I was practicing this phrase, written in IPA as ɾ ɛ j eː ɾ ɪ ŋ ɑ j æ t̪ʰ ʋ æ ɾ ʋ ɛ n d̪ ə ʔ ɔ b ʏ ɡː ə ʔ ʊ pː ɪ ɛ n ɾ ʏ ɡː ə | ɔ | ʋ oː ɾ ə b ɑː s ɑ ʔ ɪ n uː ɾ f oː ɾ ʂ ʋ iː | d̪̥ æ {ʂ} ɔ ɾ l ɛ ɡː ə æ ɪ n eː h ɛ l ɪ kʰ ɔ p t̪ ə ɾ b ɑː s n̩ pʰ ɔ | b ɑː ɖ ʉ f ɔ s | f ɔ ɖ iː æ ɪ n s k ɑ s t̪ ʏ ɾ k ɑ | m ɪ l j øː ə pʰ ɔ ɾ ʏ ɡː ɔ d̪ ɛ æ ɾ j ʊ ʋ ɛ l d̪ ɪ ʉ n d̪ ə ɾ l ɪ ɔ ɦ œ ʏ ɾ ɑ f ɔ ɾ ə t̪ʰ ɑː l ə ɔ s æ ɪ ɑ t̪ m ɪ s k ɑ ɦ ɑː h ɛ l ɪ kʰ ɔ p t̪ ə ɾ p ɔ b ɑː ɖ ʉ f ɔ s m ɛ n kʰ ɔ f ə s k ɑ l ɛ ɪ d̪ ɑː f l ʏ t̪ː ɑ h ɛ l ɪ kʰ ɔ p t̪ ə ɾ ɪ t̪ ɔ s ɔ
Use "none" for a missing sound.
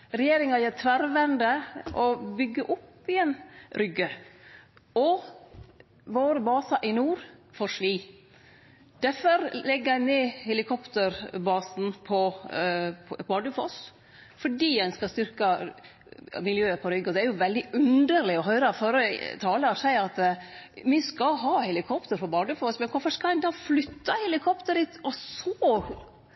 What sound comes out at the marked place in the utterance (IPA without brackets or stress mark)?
f